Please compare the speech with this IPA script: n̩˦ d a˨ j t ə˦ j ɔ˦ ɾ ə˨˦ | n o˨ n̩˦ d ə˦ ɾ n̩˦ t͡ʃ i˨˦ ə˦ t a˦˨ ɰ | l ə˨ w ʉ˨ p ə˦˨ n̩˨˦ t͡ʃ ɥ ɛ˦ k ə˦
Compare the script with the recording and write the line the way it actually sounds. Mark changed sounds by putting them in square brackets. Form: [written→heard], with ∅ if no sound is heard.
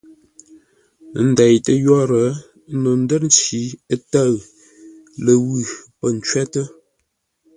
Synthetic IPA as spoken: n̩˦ d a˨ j t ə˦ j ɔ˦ ɾ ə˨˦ | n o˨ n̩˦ d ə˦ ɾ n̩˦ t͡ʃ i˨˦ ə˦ t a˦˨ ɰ | l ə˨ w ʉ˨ p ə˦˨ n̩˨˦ t͡ʃ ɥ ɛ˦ [k→t] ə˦